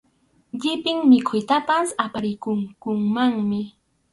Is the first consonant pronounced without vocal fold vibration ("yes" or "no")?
no